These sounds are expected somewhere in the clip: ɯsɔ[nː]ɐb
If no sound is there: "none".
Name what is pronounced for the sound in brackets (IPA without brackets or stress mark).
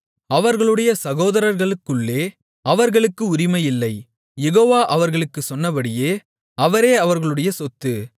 nː